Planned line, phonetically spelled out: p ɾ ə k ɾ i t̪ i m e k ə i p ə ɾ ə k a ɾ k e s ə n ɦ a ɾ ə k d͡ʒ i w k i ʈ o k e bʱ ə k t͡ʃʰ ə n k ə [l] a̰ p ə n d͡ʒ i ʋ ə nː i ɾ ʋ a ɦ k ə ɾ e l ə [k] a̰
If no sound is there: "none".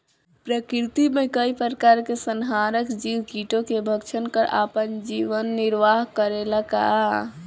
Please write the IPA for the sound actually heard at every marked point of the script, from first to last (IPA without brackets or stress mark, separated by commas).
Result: ɾ, k